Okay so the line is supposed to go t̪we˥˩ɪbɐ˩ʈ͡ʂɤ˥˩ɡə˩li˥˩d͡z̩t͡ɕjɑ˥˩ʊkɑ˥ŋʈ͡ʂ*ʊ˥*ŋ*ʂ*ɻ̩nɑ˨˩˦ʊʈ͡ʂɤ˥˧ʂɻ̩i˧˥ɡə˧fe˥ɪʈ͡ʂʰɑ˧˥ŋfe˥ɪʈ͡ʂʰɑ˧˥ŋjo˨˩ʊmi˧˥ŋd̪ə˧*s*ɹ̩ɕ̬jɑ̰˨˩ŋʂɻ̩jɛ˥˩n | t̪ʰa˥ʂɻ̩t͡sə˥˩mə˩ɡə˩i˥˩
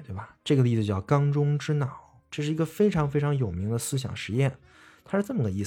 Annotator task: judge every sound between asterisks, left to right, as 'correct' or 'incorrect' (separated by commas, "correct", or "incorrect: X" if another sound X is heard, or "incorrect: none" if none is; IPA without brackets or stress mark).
correct, incorrect: ʈ͡ʂ, correct